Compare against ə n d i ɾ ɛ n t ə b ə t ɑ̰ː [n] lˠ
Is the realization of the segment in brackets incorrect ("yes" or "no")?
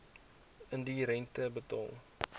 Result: yes